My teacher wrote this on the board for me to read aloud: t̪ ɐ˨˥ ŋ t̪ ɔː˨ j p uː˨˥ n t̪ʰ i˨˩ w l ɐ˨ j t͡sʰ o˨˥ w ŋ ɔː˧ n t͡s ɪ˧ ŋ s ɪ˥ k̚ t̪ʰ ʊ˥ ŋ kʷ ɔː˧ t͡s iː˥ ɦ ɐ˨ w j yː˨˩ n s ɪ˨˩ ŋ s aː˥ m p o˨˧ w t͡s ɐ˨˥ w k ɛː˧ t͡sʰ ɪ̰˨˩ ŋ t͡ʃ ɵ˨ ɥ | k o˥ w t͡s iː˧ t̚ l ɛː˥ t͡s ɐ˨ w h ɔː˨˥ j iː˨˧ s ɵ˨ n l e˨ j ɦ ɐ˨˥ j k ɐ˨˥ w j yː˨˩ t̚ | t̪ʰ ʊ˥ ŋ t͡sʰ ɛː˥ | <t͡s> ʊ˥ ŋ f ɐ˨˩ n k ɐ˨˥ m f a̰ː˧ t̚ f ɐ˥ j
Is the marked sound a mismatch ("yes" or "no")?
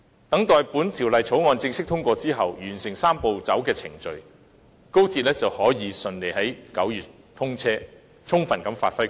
yes